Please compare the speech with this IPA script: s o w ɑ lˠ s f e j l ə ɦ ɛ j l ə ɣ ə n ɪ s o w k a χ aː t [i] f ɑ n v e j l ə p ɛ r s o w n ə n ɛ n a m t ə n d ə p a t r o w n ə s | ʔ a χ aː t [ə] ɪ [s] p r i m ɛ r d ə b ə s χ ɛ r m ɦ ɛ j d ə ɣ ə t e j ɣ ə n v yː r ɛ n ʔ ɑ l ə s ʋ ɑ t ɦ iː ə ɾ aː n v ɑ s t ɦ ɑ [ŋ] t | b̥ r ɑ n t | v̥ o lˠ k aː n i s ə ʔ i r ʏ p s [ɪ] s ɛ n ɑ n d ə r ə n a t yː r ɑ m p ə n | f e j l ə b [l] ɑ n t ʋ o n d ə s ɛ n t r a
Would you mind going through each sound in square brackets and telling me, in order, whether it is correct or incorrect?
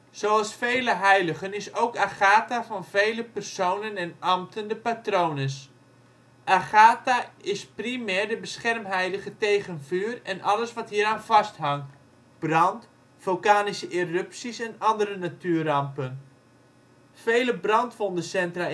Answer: incorrect, incorrect, correct, correct, incorrect, incorrect

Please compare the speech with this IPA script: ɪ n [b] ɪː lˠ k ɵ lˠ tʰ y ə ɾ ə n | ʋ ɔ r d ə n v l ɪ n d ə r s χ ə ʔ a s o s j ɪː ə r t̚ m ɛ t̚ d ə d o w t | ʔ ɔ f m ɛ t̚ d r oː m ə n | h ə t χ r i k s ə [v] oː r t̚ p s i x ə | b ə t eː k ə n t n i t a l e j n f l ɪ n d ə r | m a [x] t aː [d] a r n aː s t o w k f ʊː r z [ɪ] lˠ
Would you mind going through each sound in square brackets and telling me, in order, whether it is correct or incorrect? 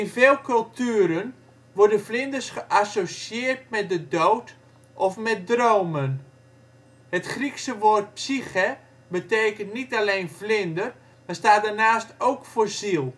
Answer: incorrect, incorrect, incorrect, correct, incorrect

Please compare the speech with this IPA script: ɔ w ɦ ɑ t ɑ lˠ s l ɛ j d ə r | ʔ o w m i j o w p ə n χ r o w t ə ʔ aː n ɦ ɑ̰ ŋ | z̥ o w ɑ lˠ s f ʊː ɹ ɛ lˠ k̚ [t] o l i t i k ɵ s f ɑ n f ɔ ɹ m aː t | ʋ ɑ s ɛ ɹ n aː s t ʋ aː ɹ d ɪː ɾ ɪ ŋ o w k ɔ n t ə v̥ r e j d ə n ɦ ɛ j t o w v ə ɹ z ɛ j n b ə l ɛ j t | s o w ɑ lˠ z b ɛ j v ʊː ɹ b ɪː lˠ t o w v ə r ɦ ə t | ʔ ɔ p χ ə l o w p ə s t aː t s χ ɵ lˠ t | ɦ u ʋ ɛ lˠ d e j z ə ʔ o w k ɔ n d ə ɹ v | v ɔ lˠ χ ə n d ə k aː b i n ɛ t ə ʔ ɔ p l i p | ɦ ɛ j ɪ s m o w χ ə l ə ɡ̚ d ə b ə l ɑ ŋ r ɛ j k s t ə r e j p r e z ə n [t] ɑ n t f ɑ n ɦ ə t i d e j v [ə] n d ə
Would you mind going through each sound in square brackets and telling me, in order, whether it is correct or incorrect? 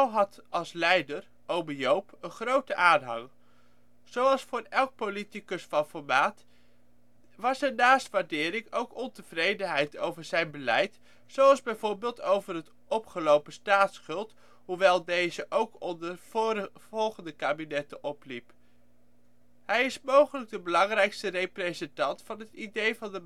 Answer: incorrect, correct, incorrect

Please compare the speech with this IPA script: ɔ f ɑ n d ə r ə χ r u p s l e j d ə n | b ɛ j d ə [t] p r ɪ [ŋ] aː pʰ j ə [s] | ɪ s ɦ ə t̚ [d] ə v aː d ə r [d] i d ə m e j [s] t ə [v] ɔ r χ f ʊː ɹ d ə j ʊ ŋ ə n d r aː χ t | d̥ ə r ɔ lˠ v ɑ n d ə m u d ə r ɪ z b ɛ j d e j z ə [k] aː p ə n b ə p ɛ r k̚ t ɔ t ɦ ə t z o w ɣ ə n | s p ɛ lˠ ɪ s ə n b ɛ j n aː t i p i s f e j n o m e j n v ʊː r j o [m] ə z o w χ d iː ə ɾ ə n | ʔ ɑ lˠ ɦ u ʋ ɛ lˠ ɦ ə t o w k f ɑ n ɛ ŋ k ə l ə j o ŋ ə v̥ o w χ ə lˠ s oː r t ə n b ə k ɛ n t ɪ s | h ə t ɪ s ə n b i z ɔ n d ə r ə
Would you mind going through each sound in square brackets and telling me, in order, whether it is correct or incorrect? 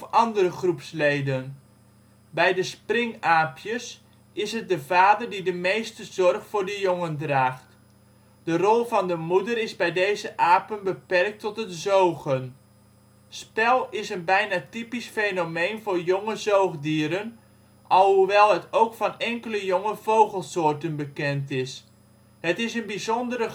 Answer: incorrect, correct, correct, correct, correct, correct, incorrect, incorrect, incorrect

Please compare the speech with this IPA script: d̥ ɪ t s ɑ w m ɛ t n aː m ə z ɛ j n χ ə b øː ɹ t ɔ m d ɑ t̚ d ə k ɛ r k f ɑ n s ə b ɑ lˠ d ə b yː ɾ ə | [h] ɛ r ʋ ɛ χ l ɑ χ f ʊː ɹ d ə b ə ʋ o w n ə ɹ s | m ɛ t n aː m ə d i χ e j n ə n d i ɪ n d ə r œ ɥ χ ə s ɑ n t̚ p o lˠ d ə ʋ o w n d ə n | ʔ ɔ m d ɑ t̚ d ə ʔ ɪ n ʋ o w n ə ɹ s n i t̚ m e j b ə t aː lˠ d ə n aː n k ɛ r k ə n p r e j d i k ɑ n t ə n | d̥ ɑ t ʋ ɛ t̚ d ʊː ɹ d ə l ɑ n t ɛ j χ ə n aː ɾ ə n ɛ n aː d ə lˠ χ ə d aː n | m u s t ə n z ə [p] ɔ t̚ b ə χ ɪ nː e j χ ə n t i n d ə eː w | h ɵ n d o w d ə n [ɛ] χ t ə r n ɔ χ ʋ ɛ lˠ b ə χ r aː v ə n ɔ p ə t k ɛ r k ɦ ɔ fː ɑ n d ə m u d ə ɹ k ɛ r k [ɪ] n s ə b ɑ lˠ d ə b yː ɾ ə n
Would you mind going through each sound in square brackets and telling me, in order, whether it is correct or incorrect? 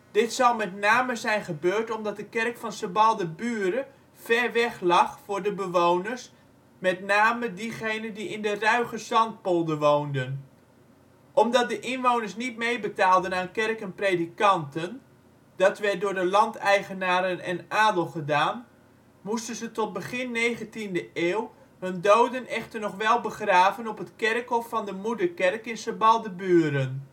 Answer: incorrect, incorrect, correct, correct

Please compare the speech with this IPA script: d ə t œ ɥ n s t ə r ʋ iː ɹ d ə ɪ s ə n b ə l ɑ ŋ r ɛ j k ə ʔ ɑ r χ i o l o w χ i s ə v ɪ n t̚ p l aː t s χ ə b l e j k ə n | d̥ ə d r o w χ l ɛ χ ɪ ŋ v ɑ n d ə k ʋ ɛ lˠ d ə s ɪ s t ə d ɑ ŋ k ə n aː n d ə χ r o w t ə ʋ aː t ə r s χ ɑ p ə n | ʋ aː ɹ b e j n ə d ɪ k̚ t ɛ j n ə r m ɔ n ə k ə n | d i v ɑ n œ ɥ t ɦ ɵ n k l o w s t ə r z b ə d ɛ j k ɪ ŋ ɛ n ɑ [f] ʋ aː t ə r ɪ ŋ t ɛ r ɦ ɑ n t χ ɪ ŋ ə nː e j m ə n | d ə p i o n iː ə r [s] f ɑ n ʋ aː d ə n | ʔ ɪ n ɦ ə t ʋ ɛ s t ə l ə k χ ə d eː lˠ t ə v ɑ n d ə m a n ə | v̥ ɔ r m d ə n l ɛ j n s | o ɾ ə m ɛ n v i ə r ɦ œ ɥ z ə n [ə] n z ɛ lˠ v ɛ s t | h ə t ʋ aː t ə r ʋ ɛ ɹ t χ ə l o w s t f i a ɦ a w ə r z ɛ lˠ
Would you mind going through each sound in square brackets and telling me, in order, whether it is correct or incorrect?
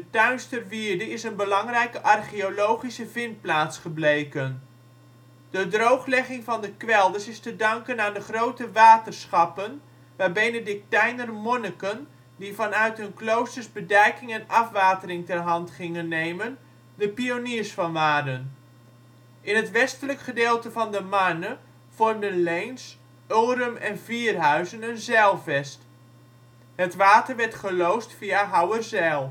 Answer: correct, correct, correct

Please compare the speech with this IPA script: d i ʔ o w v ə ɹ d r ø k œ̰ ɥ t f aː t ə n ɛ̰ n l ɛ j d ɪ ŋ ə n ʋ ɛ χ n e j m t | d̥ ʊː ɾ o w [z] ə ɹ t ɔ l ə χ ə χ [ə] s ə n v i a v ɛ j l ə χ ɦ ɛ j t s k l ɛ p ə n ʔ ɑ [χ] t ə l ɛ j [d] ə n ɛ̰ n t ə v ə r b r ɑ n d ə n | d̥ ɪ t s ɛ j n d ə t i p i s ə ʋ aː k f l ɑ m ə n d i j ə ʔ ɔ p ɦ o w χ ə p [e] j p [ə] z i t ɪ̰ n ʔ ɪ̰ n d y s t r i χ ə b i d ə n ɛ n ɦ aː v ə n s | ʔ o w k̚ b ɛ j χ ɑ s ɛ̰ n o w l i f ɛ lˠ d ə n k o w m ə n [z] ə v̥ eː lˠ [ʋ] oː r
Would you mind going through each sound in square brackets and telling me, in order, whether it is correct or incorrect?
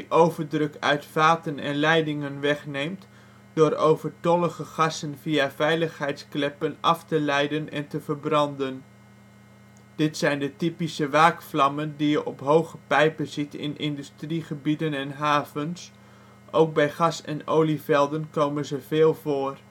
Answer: incorrect, incorrect, incorrect, correct, incorrect, correct, correct, incorrect

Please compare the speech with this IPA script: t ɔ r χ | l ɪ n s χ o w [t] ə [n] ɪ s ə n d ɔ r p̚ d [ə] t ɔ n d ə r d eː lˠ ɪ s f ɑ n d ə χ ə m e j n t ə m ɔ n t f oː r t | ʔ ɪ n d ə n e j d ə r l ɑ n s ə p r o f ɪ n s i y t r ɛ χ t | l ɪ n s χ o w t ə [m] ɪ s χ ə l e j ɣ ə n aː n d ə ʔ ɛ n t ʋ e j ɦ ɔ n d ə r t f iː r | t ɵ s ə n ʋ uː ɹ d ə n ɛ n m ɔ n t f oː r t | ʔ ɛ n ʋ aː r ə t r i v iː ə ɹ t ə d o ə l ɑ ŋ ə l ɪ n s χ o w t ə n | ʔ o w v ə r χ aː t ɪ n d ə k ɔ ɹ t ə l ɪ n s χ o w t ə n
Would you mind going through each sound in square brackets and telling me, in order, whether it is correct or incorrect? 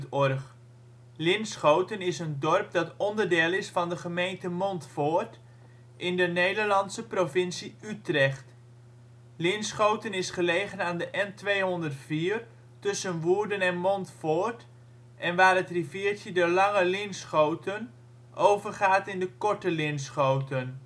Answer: correct, correct, incorrect, incorrect

